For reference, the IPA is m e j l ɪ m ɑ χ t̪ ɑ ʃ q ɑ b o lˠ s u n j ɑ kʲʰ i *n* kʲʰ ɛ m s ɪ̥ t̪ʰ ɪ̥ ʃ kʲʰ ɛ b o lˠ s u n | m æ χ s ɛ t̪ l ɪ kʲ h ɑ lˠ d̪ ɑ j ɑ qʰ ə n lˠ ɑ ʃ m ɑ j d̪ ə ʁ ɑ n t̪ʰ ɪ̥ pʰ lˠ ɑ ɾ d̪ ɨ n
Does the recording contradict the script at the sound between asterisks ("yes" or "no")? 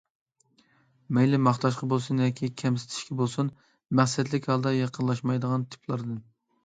yes